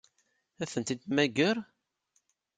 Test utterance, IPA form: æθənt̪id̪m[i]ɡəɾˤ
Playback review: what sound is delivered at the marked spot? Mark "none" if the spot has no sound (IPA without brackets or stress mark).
æ